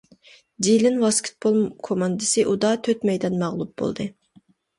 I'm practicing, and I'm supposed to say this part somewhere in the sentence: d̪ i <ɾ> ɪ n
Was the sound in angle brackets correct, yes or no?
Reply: no